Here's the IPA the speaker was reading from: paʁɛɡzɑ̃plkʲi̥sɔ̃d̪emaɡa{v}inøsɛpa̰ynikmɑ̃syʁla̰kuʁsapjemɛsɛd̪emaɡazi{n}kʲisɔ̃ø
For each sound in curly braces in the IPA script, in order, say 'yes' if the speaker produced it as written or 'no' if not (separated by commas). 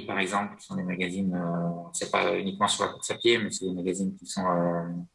no, yes